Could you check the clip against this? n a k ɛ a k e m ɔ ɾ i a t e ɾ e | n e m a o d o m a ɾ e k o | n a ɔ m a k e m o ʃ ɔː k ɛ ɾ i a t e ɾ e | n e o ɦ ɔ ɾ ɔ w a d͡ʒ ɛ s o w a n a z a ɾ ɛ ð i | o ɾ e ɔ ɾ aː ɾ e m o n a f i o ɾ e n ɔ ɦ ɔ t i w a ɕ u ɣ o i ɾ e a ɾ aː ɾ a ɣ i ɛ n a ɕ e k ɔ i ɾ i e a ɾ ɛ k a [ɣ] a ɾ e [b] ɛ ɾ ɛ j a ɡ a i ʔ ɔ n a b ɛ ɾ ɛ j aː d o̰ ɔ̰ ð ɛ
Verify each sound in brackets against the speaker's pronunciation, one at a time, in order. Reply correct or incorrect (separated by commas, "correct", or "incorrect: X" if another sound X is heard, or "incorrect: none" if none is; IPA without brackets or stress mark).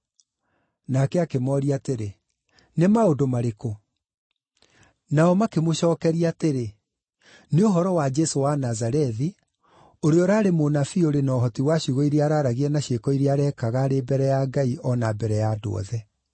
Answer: correct, correct